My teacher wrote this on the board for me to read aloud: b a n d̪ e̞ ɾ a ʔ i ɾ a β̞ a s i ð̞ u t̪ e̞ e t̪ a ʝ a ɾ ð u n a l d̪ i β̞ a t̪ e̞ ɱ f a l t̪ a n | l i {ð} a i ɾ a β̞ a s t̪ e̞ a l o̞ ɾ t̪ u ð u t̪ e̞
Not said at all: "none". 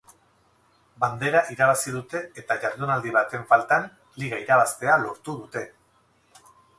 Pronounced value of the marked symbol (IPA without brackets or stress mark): ɣ